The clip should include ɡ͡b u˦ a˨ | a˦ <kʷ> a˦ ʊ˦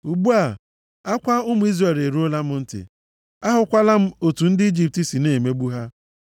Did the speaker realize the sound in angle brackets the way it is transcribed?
yes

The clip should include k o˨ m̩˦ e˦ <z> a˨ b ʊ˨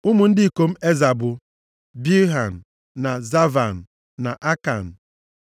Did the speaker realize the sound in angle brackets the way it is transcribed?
yes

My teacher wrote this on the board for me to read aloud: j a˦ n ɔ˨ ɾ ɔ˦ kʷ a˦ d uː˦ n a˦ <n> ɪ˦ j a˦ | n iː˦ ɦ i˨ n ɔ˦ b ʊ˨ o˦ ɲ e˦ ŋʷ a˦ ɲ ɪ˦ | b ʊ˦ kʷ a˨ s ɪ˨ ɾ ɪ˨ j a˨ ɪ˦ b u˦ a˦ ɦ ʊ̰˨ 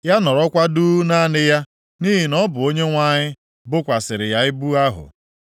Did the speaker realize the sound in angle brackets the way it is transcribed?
yes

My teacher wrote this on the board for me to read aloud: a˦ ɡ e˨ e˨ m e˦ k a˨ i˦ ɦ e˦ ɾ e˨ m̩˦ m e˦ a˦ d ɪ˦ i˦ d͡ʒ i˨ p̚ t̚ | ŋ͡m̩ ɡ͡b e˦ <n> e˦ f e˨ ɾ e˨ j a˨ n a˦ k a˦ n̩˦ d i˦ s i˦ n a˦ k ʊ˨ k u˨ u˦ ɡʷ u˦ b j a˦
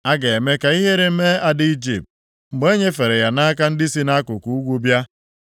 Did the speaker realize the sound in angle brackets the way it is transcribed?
no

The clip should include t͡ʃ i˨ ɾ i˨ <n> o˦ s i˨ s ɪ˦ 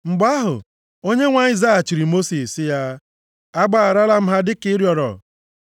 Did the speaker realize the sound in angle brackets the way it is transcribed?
no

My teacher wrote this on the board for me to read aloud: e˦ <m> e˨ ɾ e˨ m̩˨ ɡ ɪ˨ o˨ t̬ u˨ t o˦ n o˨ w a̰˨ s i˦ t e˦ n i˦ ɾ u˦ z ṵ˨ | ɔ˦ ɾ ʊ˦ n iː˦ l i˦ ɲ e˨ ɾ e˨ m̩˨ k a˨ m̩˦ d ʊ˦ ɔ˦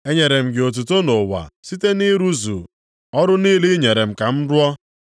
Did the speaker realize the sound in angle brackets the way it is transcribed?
no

